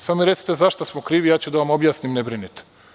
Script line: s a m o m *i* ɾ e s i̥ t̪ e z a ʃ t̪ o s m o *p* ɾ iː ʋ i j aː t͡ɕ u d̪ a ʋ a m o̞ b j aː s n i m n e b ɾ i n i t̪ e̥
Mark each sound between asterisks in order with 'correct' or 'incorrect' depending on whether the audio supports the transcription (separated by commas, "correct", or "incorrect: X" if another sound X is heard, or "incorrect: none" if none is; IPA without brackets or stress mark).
correct, incorrect: k